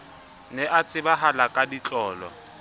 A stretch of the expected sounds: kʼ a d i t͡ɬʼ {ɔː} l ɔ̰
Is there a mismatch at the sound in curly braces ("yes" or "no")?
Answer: no